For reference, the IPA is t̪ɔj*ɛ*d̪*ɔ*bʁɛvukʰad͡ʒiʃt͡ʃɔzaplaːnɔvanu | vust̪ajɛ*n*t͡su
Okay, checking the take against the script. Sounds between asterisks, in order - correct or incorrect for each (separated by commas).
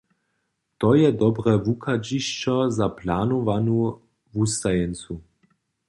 correct, correct, correct